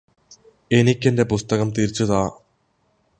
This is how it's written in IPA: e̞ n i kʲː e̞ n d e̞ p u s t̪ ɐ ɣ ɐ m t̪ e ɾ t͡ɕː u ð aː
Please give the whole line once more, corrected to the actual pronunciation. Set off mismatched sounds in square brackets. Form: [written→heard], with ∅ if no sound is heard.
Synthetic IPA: e̞ n i kʲː e̞ n d e̞ p u s t̪ ɐ ɣ ɐ m t̪ [e→i] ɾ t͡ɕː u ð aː

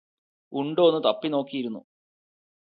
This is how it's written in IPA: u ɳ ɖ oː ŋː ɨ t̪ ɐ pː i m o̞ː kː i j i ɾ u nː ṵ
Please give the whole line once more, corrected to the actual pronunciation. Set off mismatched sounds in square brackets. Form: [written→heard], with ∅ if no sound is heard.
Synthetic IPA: u ɳ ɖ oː [ŋː→nː] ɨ t̪ ɐ pː i [m→n] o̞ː kː i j i ɾ u nː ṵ

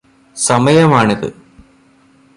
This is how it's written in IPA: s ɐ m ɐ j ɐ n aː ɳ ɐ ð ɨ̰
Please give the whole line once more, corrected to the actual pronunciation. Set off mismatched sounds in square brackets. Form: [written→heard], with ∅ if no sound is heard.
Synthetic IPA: s ɐ m ɐ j ɐ [n→m] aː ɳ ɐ ð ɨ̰

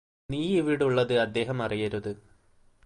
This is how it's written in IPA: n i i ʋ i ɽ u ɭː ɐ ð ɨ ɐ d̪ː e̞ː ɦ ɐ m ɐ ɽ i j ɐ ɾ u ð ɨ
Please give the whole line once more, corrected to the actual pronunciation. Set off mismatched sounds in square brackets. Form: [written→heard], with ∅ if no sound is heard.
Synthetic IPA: n [i→iː] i ʋ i ɽ u ɭː ɐ ð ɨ ɐ d̪ː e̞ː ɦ ɐ m ɐ [ɽ→r] i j ɐ ɾ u ð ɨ

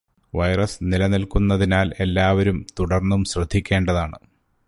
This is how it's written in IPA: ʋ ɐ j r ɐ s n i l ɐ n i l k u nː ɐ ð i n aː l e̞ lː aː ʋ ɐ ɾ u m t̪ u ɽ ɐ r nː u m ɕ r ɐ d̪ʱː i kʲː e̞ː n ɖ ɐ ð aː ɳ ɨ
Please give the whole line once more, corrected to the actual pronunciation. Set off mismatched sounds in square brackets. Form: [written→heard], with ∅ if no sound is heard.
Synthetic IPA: ʋ ɐ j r ɐ s n i l ɐ n i l k u nː ɐ ð i n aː l e̞ lː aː ʋ ɐ ɾ u m t̪ u ɽ ɐ r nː u m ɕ r ɐ d̪ʱː i kʲː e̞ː [n→ɳ] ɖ ɐ ð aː ɳ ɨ

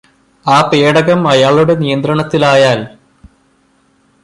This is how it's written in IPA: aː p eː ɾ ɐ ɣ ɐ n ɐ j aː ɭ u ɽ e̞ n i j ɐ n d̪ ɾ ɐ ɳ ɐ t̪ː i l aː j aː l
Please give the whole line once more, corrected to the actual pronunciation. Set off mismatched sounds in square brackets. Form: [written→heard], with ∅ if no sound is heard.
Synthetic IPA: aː p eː [ɾ→ɽ] ɐ ɣ ɐ [n→m] ɐ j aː ɭ u ɽ e̞ n i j ɐ n d̪ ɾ ɐ ɳ ɐ t̪ː i l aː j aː l

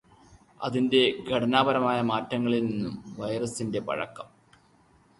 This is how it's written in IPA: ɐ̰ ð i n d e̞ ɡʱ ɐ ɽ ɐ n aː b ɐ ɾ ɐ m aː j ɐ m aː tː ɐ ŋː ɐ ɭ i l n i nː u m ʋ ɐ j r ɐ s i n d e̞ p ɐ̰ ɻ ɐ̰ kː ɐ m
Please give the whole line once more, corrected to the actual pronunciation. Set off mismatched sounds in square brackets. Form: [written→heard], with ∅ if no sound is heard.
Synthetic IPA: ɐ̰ ð i n d e̞ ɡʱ ɐ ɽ ɐ n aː b ɐ ɾ ɐ m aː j ɐ m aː tː ɐ ŋː ɐ ɭ i l n i nː u m ʋ ɐ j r ɐ s i n d e̞ p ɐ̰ ɻ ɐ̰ kː ɐ m

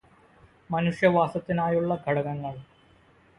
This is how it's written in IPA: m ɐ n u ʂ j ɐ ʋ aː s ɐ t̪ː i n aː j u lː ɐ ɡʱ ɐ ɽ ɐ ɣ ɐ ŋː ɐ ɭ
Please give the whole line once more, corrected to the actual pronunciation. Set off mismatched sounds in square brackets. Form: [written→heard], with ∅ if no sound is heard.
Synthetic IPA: m ɐ n u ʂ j ɐ ʋ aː s ɐ t̪ː i n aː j u [lː→ɭː] ɐ ɡʱ ɐ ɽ ɐ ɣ ɐ ŋː ɐ ɭ

